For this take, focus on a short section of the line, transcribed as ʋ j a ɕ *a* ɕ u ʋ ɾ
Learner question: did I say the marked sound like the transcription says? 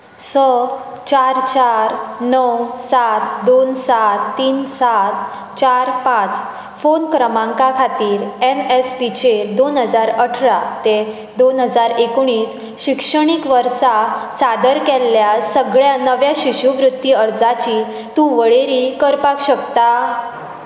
no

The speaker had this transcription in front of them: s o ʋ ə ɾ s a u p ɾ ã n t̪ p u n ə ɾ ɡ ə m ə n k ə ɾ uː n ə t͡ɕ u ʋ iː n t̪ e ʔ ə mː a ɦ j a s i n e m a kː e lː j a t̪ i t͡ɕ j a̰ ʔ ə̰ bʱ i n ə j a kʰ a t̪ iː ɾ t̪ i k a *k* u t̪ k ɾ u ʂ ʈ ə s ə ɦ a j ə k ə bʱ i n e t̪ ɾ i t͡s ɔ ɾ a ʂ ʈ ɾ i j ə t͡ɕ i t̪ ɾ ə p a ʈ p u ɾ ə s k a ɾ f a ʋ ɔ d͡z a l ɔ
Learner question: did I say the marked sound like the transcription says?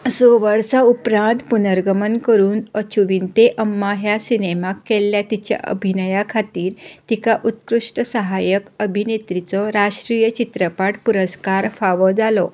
no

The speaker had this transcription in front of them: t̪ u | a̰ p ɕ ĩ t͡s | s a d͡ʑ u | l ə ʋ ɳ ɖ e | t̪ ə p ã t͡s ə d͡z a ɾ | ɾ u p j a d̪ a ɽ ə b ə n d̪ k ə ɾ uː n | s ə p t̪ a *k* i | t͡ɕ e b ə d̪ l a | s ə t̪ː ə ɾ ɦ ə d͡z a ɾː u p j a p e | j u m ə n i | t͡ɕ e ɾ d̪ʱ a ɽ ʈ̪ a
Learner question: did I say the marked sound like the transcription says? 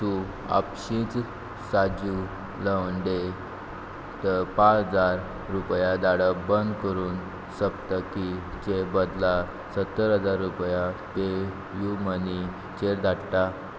yes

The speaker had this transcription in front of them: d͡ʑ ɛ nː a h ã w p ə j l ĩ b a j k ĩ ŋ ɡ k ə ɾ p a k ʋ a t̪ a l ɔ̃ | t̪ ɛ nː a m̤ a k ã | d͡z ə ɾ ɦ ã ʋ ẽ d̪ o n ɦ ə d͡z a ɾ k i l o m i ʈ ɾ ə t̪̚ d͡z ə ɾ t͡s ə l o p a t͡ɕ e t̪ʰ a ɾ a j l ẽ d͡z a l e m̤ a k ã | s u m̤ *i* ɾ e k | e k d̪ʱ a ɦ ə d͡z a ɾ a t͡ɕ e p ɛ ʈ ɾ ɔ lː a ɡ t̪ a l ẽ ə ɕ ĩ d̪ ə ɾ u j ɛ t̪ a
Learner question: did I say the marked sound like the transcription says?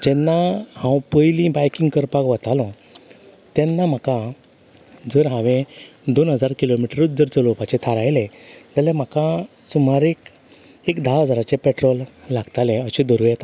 no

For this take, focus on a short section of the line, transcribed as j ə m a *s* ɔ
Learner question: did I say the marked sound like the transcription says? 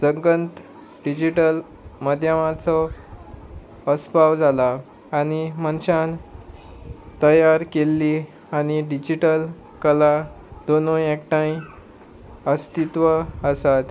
no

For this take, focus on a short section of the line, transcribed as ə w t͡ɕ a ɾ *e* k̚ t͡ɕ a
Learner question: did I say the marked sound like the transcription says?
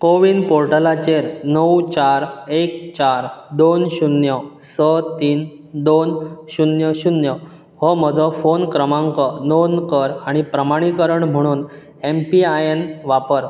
yes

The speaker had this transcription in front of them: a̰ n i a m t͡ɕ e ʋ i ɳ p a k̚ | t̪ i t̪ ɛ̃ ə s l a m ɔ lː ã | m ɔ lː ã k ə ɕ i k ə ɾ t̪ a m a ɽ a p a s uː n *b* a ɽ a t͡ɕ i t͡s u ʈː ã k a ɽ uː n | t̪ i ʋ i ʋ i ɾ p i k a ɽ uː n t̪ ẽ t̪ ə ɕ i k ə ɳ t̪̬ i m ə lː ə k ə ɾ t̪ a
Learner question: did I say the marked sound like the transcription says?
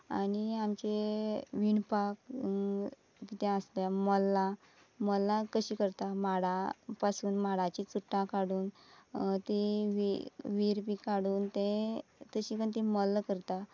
no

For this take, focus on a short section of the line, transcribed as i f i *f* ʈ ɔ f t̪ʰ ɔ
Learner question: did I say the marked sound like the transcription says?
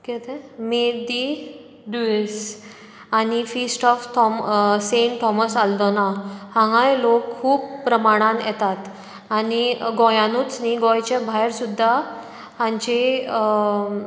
no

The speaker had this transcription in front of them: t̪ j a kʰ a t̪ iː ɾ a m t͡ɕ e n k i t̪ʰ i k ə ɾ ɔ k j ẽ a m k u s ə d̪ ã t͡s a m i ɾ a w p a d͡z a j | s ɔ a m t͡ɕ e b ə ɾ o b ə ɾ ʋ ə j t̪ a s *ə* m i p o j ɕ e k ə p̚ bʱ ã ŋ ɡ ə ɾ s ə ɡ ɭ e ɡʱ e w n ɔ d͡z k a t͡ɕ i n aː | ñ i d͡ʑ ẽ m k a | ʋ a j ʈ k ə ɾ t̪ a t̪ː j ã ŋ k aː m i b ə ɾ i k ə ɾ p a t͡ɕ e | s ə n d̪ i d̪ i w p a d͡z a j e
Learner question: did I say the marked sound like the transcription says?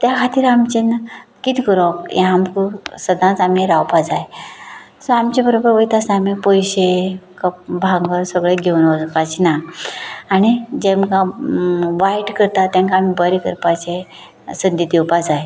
no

